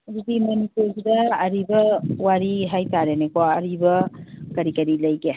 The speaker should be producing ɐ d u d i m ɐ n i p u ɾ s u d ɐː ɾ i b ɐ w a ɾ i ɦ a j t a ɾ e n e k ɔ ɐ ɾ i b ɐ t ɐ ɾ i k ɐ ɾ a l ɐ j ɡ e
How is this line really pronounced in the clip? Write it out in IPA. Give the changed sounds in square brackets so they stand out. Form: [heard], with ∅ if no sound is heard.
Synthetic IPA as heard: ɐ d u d i m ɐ n i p u ɾ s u d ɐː ɾ i b ɐ w a ɾ i ɦ a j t a ɾ e n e k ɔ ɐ ɾ i b ɐ [k] ɐ ɾ i k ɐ ɾ [i] l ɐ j ɡ e